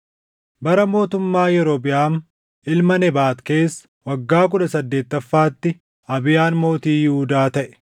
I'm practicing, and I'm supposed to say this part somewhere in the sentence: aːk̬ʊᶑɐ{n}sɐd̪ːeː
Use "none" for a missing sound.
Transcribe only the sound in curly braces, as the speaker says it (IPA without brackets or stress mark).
none